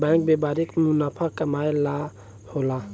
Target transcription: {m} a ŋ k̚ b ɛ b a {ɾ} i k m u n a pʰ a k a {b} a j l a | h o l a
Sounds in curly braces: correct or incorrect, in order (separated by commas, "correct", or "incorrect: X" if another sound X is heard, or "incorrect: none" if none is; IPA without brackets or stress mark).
incorrect: b, correct, incorrect: m